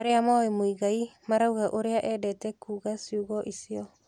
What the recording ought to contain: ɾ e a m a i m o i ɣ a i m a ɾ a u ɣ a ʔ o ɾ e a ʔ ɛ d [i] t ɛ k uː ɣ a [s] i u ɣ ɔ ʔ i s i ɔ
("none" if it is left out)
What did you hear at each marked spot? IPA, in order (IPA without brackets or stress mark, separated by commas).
ɛ, s